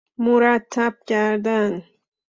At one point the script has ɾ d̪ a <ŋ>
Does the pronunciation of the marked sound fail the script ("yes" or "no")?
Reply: no